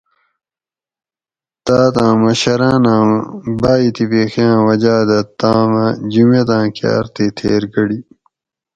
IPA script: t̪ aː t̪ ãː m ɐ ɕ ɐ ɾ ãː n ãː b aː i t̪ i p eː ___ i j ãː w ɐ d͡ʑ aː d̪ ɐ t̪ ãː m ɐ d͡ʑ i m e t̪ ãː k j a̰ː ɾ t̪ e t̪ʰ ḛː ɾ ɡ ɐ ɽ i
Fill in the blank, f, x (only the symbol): x